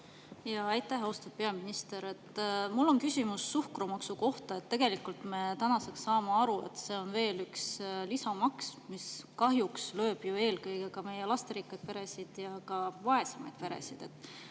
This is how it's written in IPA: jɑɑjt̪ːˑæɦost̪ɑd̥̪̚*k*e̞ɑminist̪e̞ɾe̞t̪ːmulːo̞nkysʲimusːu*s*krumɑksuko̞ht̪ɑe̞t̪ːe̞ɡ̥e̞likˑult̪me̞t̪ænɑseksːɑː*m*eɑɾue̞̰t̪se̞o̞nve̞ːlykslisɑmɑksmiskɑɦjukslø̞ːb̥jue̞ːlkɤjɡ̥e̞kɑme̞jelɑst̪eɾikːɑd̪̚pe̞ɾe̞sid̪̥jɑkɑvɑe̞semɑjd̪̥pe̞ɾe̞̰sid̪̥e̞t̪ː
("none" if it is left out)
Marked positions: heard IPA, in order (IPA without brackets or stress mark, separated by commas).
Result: p, h, m